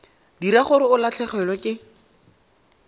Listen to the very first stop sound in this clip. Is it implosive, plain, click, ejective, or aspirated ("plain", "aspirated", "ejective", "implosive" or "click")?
plain